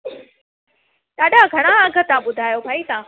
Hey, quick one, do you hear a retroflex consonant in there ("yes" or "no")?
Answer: yes